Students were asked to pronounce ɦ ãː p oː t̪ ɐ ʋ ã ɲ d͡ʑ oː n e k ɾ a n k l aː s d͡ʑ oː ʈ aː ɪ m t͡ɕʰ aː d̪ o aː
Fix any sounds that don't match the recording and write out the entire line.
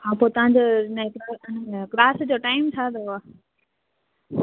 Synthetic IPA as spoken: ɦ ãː p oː t̪ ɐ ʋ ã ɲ d͡ʑ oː n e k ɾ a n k l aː s d͡ʑ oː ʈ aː ɪ m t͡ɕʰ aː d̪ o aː